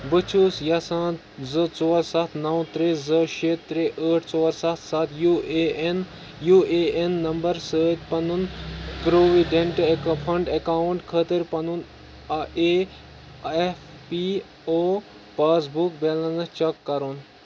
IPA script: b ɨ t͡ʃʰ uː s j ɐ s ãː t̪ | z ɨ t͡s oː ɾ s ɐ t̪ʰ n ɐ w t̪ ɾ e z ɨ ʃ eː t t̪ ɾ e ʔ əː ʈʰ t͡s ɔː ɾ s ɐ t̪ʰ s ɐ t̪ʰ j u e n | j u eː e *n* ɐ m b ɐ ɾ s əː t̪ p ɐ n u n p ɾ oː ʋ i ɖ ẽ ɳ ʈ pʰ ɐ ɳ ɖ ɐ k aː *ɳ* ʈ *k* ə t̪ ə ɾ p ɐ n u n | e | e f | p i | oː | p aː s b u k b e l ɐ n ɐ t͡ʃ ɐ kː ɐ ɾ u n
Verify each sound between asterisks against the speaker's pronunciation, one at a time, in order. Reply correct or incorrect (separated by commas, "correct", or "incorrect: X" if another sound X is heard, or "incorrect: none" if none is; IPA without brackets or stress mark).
incorrect: nː, correct, incorrect: kʰ